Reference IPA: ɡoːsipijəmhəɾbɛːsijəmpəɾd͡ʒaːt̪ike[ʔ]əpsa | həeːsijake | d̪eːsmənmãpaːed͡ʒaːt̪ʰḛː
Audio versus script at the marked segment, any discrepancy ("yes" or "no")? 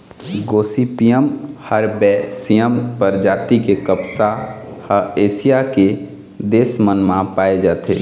yes